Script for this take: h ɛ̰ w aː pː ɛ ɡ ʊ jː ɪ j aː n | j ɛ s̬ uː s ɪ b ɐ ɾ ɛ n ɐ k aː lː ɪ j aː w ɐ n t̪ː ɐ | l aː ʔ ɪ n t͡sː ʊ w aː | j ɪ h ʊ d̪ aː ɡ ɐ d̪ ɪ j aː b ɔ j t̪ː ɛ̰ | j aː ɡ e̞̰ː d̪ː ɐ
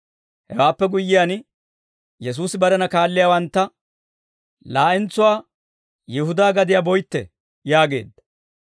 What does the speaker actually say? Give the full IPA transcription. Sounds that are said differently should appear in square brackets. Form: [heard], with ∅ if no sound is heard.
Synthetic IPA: h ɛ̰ w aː pː ɛ ɡ ʊ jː ɪ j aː n | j ɛ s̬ uː s ɪ b ɐ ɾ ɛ n ɐ k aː lː ɪ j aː w ɐ n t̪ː ɐ | l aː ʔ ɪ n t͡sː ʊ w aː | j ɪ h ʊ d̪ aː ɡ ɐ d̪ ɪ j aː b ɔ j t̪ː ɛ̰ | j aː ɡ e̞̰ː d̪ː ɐ